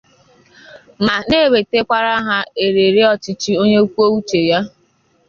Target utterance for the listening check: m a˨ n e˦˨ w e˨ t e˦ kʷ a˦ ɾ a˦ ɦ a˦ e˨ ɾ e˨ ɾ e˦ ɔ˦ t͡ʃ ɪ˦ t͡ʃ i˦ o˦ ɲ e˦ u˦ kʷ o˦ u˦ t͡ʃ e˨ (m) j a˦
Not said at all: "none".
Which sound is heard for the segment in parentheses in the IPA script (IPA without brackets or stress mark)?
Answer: none